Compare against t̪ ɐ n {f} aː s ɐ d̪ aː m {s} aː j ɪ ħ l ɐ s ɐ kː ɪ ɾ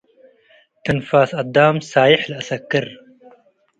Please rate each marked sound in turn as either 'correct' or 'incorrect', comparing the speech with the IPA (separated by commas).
correct, correct